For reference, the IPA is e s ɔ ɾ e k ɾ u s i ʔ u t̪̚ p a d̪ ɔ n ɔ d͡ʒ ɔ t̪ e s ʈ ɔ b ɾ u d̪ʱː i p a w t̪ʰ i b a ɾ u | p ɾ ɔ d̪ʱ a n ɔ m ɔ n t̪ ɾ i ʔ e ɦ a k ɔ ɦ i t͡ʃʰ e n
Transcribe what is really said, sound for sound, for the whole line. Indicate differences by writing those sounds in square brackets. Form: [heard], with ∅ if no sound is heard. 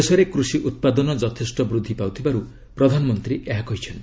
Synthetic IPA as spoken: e s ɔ ɾ e k ɾ u s i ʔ u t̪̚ p a d̪ ɔ n ɔ d͡ʒ ɔ [t̪ʰ] e s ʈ ɔ b ɾ u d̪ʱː i p a w t̪ʰ i b a ɾ u | p ɾ ɔ d̪ʱ a n ɔ m ɔ n t̪ ɾ i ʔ e ɦ a k ɔ ɦ i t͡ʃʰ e n

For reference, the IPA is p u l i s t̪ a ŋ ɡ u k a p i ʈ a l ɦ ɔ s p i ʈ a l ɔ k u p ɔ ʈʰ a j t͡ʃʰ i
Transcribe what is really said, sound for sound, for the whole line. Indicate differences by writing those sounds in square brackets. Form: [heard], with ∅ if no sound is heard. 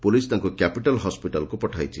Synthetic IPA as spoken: p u l i s t̪ a ŋ [k] u k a p i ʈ a l ɦ ɔ s p i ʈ a l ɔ k u p ɔ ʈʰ a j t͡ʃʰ i

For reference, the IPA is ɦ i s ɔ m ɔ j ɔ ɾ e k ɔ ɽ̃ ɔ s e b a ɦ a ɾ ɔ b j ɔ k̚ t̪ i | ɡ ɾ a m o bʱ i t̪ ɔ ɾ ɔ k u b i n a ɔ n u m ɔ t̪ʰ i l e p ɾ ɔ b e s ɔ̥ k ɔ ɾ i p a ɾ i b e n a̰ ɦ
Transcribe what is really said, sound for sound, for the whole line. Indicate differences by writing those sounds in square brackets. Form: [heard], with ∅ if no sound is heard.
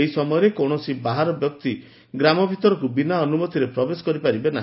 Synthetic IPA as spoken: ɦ i s ɔ m ɔ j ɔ ɾ e k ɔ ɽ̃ ɔ s [i] b a ɦ a ɾ ɔ b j ɔ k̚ t̪ i | ɡ ɾ a m [ɔ] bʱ i t̪ ɔ ɾ ɔ k u b i n a ɔ n u m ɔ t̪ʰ i [ɾ] e p ɾ ɔ b e s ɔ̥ k ɔ ɾ i p a ɾ i b e n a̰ ɦ

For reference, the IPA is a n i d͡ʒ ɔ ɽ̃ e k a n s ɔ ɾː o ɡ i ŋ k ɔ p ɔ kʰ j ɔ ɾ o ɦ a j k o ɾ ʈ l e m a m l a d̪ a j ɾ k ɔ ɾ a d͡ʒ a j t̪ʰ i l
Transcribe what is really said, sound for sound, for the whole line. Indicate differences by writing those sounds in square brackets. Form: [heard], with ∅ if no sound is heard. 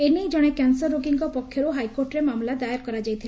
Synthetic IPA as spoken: [e] n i d͡ʒ ɔ ɽ̃ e k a n s ɔ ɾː o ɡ i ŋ k ɔ p ɔ kʰ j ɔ ɾ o ɦ a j k o ɾ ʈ [ɾ] e m a m l a d̪ a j ɾ k ɔ ɾ a d͡ʒ a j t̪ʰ i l

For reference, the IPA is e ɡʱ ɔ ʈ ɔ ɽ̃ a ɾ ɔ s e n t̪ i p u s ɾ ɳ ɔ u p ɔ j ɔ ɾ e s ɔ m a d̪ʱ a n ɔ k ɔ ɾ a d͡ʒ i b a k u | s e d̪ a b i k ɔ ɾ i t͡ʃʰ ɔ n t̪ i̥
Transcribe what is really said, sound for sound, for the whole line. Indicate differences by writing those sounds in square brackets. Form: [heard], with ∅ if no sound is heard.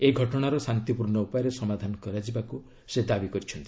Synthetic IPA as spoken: e ɡʱ ɔ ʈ ɔ ɽ̃ a ɾ ɔ s [a] n t̪ i p u [∅] ɾ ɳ ɔ u p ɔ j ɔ ɾ e s ɔ m a d̪ʱ a n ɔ k ɔ ɾ a d͡ʒ i b a k u | s e d̪ a b i k ɔ ɾ i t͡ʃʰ ɔ n t̪ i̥

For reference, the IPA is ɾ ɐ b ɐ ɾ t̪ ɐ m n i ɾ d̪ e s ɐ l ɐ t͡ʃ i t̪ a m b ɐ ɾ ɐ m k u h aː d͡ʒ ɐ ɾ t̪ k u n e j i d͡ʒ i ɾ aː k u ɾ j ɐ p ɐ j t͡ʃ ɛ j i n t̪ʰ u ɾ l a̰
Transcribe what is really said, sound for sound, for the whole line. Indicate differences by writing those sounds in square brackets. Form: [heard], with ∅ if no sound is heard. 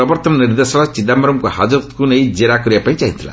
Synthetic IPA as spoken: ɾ ɐ b ɐ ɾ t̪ ɐ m n i ɾ d̪ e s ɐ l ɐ t͡ʃ i [d̪] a m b ɐ ɾ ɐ m k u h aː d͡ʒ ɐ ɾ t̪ k u n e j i d͡ʒ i ɾ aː k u ɾ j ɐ p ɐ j t͡ʃ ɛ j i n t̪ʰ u [∅] l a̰

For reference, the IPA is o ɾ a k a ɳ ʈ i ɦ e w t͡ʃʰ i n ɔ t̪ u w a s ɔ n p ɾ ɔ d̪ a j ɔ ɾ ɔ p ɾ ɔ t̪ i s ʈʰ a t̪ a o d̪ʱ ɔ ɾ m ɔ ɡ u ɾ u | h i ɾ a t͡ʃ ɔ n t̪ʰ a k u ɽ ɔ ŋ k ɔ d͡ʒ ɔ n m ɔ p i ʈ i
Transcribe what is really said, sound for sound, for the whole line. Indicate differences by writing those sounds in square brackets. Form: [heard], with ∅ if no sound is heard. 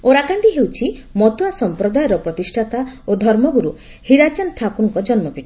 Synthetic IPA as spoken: o ɾ a k a ɳ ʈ i ɦ e w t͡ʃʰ i [m] ɔ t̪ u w a s ɔ [m] p ɾ ɔ d̪ a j ɔ ɾ ɔ p ɾ ɔ t̪ i s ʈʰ a t̪ a o d̪ʱ ɔ ɾ m ɔ ɡ u ɾ u | h i ɾ a t͡ʃ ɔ n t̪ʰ a k u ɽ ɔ ŋ k ɔ d͡ʒ ɔ n m ɔ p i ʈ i

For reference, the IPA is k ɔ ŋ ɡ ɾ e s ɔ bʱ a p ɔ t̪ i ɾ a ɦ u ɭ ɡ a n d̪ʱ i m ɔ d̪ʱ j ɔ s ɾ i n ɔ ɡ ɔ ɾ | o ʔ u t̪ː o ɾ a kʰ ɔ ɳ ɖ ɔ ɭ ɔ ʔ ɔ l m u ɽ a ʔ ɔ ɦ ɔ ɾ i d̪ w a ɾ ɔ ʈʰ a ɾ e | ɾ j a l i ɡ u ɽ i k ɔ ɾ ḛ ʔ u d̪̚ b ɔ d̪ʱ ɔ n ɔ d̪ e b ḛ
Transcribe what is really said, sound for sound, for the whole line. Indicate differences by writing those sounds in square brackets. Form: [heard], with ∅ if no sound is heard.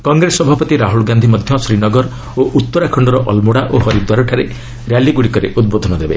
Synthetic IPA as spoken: k ɔ ŋ ɡ ɾ e s ɔ bʱ a p ɔ t̪ i ɾ a ɦ u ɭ ɡ a n d̪ʱ i m ɔ d̪ʱ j ɔ s ɾ i n ɔ ɡ ɔ ɾ | o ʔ u t̪ː [ɔ] ɾ a kʰ ɔ ɳ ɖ ɔ [ɾ] ɔ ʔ ɔ l m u ɽ a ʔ [o] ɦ ɔ ɾ i d̪ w a ɾ ɔ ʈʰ a ɾ e | ɾ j a l i ɡ u ɽ i k ɔ ɾ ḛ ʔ u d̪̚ b [o] d̪ʱ ɔ n ɔ d̪ e b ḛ

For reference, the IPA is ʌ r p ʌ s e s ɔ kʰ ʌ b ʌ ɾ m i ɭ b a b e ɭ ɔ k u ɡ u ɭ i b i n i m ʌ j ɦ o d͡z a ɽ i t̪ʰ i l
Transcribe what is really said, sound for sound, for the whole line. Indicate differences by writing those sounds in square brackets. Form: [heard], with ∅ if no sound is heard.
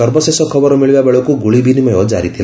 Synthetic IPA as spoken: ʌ r [b] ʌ s e s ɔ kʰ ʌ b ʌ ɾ m i ɭ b a b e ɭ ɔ k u ɡ u ɭ i b i n i m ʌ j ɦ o d͡z a [ɾ] i t̪ʰ i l

